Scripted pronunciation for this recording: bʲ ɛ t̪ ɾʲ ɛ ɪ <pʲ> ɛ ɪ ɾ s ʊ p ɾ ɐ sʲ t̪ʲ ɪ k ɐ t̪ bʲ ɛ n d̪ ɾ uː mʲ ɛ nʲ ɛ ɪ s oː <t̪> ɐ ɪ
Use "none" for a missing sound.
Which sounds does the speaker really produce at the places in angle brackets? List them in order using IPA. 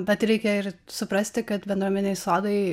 kʲ, d̪

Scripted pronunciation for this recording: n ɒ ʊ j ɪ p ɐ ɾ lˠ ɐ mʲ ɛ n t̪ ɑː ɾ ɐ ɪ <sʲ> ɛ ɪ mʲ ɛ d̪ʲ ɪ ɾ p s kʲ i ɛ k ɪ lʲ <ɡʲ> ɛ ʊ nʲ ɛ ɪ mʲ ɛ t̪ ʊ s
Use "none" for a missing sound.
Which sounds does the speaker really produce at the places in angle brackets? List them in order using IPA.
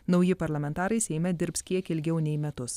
sʲ, ɡʲ

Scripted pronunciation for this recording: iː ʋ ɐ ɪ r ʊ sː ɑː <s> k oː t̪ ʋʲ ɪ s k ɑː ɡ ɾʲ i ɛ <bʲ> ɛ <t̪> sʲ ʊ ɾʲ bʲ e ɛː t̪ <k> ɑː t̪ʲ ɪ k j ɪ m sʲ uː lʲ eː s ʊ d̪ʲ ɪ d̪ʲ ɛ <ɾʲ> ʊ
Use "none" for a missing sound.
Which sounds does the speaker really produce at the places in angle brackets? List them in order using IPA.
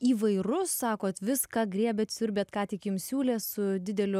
none, bʲ, t̪, k, lʲ

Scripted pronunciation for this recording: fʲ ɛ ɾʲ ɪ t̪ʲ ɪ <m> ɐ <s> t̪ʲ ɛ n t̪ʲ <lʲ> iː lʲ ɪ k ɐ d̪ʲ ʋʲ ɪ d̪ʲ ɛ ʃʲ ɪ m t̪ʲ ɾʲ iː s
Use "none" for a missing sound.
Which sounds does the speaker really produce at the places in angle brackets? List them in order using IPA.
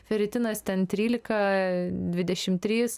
n, s, ɾʲ

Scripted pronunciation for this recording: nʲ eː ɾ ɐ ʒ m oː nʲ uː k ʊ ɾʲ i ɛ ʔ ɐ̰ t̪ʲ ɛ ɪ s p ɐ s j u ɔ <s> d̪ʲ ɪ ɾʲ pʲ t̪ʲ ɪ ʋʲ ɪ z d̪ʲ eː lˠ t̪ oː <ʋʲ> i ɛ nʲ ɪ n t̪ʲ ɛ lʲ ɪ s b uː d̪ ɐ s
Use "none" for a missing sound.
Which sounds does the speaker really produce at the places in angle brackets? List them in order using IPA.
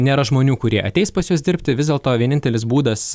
s, ʋʲ

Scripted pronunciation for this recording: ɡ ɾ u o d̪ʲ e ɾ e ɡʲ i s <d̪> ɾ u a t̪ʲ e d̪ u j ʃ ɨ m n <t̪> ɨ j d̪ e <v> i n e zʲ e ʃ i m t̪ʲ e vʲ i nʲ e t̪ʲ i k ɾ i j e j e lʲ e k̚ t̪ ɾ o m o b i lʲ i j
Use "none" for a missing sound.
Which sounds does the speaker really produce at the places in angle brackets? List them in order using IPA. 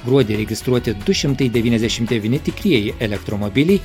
t̪, t̪, v

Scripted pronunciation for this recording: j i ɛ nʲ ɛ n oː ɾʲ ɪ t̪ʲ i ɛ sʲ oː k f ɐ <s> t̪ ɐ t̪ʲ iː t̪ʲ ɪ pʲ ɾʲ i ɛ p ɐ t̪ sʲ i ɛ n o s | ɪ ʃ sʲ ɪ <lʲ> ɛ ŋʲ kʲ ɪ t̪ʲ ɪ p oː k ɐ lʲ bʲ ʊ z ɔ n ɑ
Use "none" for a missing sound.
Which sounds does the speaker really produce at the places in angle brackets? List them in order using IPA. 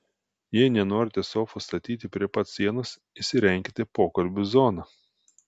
s, ɾʲ

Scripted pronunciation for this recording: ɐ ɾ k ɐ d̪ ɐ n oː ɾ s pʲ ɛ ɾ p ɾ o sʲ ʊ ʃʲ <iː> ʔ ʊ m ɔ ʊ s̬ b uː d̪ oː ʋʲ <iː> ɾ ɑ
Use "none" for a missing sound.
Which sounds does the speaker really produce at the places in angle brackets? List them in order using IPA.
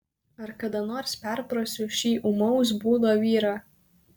iː, iː

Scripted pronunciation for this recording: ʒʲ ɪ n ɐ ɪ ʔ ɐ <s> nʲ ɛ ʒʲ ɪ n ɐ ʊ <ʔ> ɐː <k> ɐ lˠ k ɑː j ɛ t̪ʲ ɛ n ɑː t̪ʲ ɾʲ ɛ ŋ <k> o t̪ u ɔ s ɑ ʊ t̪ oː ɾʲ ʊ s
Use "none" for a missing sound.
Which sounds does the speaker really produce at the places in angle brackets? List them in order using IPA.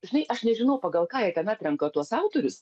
ʃ, p, ɡ, k

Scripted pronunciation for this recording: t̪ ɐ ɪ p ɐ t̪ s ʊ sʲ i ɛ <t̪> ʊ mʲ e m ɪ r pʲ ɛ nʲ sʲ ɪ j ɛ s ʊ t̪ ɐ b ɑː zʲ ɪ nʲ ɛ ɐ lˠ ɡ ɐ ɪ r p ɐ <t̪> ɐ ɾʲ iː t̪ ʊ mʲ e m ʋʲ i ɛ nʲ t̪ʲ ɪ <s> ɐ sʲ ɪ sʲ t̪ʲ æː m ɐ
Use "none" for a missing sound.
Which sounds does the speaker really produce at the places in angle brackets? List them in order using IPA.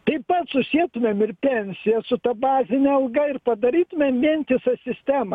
t̪, d̪, s

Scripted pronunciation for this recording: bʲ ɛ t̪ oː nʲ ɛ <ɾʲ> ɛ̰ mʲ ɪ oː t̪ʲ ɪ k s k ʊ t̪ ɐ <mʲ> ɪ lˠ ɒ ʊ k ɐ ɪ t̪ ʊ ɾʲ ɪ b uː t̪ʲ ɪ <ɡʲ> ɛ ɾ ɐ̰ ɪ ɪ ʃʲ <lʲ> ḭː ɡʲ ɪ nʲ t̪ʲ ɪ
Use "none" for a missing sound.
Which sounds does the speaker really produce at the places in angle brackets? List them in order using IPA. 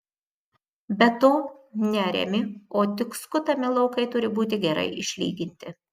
ɾʲ, mʲ, ɡʲ, lʲ

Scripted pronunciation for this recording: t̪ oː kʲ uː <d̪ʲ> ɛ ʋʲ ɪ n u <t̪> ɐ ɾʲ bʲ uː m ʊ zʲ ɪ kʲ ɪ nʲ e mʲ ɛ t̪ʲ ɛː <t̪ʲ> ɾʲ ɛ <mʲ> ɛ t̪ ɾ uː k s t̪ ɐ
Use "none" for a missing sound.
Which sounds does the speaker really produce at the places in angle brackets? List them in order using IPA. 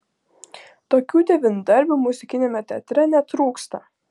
d̪ʲ, d̪, t̪ʲ, nʲ

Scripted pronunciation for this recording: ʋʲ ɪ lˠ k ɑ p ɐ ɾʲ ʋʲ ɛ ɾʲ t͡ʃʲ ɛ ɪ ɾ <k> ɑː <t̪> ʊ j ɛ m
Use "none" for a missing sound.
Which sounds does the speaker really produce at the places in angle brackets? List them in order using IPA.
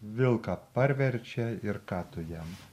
k, t̪

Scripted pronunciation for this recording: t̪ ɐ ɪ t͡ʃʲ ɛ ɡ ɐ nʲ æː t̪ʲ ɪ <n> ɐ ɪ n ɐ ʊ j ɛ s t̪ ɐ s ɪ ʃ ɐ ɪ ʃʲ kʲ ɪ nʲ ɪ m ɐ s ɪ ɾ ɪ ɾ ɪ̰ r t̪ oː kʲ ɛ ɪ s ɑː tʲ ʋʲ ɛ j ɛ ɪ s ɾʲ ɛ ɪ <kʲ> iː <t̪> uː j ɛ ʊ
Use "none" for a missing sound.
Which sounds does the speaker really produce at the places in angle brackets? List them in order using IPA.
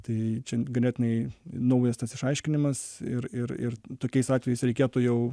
n, kʲ, t̪

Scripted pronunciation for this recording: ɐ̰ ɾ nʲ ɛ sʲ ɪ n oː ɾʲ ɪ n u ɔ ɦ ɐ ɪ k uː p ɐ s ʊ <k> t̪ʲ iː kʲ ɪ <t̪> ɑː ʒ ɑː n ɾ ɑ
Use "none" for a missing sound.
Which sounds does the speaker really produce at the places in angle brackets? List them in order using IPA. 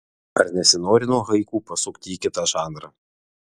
k, t̪

